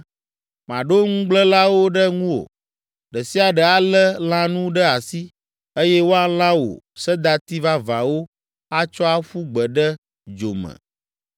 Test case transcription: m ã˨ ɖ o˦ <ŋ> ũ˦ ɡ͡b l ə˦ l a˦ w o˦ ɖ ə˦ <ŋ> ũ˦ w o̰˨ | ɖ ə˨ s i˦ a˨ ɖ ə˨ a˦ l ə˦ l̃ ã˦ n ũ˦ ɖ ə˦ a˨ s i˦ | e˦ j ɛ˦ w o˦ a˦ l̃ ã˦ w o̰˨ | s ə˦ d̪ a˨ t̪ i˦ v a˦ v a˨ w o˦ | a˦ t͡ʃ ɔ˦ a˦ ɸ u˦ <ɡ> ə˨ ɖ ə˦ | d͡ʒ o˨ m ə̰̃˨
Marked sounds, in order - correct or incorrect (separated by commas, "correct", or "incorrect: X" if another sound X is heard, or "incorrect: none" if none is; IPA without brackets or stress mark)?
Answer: correct, correct, incorrect: ɡ͡b